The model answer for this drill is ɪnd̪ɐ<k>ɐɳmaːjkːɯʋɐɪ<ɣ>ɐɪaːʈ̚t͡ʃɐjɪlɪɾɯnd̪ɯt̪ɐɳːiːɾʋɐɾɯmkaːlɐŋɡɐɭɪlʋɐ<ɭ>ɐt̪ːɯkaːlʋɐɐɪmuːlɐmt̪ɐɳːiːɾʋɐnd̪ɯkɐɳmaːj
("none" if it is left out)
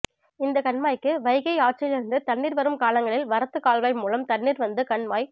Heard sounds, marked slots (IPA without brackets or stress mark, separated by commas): k, ɣ, ɾ